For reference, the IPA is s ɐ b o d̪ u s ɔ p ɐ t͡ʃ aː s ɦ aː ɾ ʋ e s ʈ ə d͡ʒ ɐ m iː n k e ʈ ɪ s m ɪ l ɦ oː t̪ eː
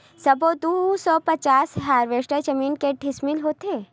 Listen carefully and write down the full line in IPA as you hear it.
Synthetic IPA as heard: s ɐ b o d̪ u s ɔ p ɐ t͡ʃ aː s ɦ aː ɾ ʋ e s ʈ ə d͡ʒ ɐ m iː n k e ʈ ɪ s m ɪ l ɦ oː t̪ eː